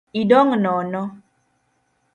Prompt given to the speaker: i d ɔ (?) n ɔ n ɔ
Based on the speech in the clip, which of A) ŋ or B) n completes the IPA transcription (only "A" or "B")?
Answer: A